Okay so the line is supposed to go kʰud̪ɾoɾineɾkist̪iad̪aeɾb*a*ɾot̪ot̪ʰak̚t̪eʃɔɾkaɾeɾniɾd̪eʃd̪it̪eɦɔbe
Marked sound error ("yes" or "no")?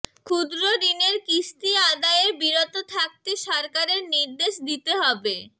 yes